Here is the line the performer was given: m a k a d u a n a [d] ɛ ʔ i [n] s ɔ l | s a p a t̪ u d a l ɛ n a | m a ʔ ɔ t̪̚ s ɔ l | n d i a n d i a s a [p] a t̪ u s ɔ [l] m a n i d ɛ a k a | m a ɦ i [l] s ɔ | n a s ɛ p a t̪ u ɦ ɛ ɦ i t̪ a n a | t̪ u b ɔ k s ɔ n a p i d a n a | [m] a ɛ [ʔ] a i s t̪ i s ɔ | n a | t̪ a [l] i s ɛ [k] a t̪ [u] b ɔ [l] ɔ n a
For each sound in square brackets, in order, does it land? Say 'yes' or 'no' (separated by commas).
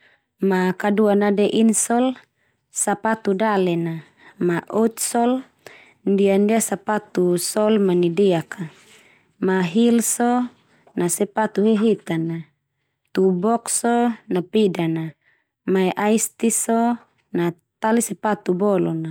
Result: yes, yes, yes, yes, yes, yes, yes, yes, no, yes, yes